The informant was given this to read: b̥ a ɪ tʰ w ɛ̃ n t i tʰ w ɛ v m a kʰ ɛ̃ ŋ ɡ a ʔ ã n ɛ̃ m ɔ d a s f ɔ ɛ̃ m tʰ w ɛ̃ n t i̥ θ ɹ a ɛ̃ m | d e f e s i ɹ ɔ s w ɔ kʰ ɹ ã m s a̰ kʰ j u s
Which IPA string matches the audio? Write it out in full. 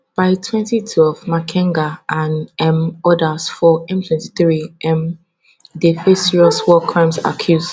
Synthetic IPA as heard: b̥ a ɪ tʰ w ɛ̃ n t i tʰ w ɛ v m a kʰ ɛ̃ ŋ ɡ a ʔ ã n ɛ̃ m ɔ d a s f ɔ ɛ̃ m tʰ w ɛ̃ n t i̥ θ ɹ i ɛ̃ m | d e f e s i ɹ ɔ s w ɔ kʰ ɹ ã m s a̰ kʰ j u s

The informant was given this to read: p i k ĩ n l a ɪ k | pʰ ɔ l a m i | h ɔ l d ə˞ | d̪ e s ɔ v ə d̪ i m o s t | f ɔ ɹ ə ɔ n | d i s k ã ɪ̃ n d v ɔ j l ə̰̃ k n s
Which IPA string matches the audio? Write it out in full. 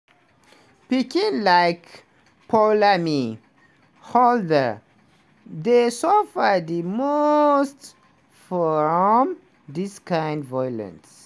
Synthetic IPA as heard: p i k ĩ n l a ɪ k | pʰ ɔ l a m i | h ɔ l d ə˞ | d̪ e s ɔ f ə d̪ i m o s t | f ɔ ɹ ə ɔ m | d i s k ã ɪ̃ n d v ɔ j l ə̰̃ n s

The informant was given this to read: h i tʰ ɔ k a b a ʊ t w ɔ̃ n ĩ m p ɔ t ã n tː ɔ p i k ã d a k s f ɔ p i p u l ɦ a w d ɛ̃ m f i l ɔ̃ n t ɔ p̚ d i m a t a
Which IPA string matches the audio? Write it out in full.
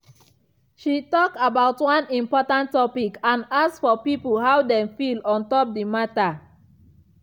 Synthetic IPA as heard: ʃ i t ɔ k a b a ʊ t w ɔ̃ n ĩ m p ɔ t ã n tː ɔ p i k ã n a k s f ɔ p i p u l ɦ a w d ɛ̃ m f i l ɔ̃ n t ɔ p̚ d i m a t a

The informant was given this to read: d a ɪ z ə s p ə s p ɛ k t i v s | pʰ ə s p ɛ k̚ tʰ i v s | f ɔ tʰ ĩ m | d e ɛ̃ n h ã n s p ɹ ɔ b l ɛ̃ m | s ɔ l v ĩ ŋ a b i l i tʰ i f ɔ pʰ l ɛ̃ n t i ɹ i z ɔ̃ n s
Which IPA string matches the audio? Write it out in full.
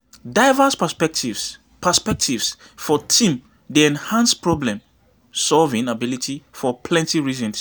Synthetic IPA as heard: d a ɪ v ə s p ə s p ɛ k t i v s | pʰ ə s p ɛ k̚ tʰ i v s | f ɔ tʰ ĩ m | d e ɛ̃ n h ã n s p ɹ ɔ b l ɛ̃ m | s ɔ l v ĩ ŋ a b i l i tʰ i f ɔ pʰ l ɛ̃ n t i ɹ i z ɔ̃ n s

